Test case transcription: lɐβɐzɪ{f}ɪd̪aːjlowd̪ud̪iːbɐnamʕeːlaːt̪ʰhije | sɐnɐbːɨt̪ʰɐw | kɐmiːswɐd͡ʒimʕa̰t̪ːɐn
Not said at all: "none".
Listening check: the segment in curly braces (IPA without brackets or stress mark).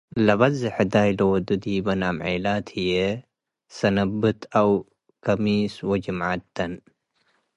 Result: ħ